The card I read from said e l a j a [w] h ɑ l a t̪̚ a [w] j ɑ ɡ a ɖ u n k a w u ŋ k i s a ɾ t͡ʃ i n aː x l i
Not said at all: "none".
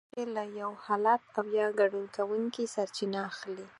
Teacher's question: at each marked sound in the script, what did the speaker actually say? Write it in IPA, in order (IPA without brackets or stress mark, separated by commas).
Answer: w, w